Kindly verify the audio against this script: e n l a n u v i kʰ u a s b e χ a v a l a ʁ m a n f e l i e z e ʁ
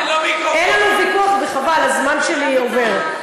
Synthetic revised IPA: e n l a n u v i k u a χ b e χ a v a l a z m a n ʃ e l i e v e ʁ

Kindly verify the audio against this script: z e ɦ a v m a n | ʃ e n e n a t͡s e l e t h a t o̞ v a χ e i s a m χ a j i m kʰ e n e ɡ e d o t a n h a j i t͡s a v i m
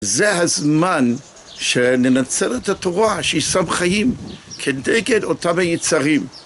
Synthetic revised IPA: z e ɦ a z m a n | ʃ e n e n a t͡s e l e t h a t o̞ ʁ a ʃ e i s a m χ a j i m kʰ e n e ɡ e d o t a m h a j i t͡s a ʁ i m

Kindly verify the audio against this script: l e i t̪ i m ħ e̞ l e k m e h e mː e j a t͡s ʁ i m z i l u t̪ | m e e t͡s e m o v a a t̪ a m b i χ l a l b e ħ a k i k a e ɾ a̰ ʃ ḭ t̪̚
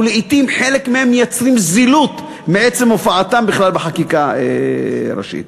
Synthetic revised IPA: l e i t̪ i m ħ e̞ l e k m e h e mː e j a t͡s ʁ i m z i l u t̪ | m e e t͡s e m o f a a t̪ a m b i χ l a l b e ħ a k i k a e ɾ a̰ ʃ ḭ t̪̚

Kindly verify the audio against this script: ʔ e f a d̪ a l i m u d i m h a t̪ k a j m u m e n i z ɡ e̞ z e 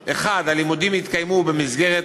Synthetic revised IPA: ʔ e χ a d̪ a l i m u d i m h i t̪ k a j m u b e m i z ɡ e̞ ʁ e

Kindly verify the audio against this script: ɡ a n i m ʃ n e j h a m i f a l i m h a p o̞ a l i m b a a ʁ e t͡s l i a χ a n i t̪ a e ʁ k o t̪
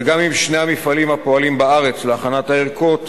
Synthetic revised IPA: ɡ a m i m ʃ n e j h a m i f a l i m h a p o̞ a l i m b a a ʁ e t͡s l e a χ a n a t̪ a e ʁ k o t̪

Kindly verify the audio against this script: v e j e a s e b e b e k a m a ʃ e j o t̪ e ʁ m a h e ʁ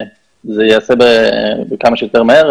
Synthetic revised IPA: z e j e a s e b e b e k a m a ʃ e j o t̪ e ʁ m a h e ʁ

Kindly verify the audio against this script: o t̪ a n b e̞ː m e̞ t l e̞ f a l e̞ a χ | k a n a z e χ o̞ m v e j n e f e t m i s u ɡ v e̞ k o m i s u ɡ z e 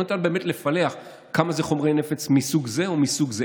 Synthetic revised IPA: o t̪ a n b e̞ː m e̞ t l e̞ f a l e̞ a χ | k a m a z e χ o̞ m ʁ e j n e f e t͡s m i s u ɡ z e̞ o m i s u ɡ z e

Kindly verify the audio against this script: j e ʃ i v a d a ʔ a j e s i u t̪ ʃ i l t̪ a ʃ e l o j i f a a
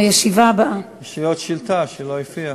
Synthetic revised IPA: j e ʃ i v a b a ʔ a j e ʃ i o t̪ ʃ i l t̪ a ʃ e l o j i f i a

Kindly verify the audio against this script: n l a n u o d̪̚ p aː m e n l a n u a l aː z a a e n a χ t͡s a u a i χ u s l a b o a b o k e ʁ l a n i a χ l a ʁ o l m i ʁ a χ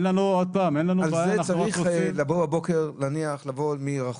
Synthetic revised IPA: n l a n u o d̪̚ p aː m e n l a n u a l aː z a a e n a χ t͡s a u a i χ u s l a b o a b o k e ʁ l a n i a χ l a v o l m i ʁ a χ

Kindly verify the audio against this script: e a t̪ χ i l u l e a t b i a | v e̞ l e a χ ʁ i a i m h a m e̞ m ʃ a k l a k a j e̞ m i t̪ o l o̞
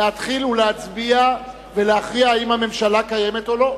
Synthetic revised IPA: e a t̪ χ i l u l e a t͡s b i a | v e̞ l e a χ ʁ i a i m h a m e̞ m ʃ a l a k a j e̞ m e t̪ o l o̞

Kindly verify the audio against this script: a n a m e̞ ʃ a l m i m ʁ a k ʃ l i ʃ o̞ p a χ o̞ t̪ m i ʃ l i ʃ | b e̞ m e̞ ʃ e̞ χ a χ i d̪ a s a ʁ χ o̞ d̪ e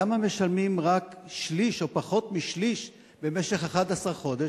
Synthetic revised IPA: a m a m e̞ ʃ a l m i m ʁ a k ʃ l i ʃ o̞ p a χ o̞ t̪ m i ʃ l i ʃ | b e̞ m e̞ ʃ e̞ χ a χ a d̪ a s a ʁ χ o̞ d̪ e

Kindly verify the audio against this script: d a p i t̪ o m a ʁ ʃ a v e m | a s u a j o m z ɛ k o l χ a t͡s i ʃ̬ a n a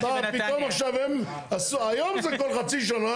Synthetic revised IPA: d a p i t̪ o m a χ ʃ a v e m | a s u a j o m z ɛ k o l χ a t͡s i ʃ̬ a n a

